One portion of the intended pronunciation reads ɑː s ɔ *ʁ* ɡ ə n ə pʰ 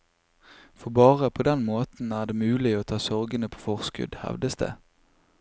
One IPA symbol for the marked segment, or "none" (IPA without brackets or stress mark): ʁ